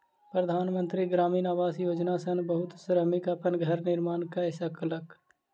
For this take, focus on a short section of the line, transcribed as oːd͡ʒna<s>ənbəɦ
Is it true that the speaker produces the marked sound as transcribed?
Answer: yes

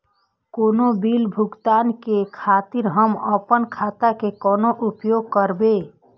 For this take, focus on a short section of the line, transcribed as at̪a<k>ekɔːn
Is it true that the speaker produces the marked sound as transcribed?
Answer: yes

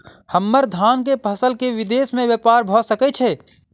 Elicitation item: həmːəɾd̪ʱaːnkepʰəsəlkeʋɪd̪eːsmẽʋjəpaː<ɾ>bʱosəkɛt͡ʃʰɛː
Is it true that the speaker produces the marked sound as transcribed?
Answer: yes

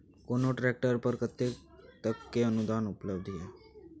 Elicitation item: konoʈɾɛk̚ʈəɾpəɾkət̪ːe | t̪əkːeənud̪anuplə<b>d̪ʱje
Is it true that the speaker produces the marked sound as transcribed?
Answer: yes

